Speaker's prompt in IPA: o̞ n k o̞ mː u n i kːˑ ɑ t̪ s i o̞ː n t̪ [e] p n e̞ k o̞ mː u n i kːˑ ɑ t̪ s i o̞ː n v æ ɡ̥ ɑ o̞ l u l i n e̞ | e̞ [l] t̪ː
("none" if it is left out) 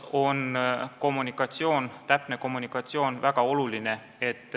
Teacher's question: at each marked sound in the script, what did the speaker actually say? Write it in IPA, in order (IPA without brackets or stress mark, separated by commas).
æ, none